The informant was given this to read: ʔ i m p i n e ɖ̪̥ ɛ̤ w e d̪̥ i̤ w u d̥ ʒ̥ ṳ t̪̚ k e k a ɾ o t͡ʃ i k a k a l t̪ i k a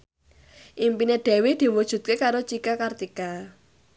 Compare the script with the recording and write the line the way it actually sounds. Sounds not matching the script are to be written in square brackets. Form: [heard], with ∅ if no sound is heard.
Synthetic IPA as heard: ʔ i m p i n e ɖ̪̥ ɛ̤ w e d̪̥ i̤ w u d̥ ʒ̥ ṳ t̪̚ k e k a ɾ o t͡ʃ i k a k a [r] t̪ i k a